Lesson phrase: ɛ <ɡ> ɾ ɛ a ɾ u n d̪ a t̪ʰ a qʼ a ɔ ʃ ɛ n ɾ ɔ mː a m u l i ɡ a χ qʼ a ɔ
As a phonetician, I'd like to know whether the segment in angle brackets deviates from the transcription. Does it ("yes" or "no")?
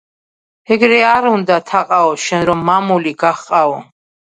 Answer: no